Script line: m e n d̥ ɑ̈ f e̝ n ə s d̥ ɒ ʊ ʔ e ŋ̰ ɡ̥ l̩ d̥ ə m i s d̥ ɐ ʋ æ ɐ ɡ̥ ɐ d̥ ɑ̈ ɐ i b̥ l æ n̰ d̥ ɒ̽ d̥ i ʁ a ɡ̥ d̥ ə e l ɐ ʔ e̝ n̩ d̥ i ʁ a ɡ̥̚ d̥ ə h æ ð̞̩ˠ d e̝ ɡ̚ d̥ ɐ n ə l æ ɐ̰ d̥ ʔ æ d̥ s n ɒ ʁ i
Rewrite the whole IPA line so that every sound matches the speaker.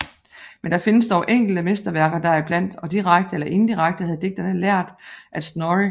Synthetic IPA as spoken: m e n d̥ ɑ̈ f e̝ n ə s d̥ ɒ ʊ ʔ e ŋ̰ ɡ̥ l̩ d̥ ə m e s d̥ ɐ ʋ æ ɐ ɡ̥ ɐ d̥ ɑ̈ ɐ i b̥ l æ n̰ d̥ ɒ̽ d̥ i ʁ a ɡ̥ d̥ ə e l ɐ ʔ e̝ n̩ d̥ i ʁ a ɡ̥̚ d̥ ə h æ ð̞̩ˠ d e̝ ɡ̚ d̥ ɐ n ə l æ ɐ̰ d̥ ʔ æ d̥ s n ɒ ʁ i